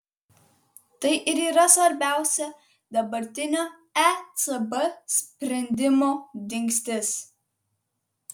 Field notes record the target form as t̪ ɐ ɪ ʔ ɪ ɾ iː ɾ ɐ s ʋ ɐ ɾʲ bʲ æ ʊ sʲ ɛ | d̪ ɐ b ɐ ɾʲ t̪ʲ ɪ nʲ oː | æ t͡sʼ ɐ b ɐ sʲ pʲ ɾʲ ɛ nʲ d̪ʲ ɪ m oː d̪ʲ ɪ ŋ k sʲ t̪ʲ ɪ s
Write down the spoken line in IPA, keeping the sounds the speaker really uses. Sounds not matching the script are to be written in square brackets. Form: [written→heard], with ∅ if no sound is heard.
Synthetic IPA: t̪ ɐ ɪ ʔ ɪ ɾ iː ɾ ɐ s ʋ ɐ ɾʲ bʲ æ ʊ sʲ ɛ | d̪ ɐ b ɐ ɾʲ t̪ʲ ɪ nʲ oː | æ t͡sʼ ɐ b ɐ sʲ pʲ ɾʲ ɛ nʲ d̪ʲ ɪ m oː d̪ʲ ɪ ŋ k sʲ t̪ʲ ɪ s